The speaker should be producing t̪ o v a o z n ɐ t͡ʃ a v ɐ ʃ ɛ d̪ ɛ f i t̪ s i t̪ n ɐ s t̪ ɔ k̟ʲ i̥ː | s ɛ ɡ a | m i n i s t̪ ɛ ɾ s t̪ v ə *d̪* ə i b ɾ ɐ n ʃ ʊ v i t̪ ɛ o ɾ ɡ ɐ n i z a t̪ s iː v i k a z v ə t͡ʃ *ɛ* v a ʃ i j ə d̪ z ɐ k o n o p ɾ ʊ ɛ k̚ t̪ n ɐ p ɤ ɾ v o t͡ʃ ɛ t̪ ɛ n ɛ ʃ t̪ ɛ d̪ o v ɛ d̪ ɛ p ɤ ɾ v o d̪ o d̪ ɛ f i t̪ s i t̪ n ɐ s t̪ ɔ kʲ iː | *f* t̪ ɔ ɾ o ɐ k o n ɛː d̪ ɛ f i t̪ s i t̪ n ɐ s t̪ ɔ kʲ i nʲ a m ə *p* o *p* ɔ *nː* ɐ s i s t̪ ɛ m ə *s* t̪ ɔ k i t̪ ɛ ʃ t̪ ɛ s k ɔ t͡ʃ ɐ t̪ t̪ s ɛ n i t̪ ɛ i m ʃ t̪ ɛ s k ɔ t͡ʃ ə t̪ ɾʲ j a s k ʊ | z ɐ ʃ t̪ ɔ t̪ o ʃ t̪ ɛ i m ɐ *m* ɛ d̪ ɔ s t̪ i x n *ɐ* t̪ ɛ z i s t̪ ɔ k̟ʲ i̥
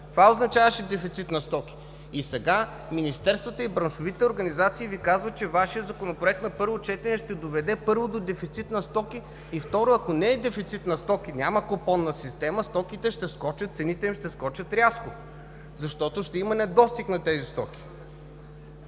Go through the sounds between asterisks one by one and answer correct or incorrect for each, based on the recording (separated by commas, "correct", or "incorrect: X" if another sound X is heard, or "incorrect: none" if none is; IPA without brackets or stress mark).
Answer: incorrect: t̪, correct, correct, incorrect: k, correct, correct, correct, incorrect: n, correct